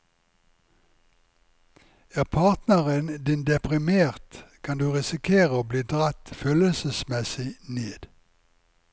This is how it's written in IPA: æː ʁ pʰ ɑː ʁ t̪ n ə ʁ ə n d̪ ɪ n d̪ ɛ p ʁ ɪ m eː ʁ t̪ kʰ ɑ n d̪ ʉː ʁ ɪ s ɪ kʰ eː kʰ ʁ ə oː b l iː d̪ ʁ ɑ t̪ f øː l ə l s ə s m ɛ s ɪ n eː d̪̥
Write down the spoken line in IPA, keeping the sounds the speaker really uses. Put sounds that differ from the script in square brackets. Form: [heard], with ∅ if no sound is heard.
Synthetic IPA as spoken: æː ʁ pʰ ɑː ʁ t̪ n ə ʁ ə n d̪ ɪ n d̪ ɛ p ʁ ɪ m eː ʁ t̪ kʰ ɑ n d̪ ʉː ʁ ɪ s ɪ kʰ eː [∅] ʁ ə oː b l iː d̪ ʁ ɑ t̪ f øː l ə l s ə s m ɛ s ɪ n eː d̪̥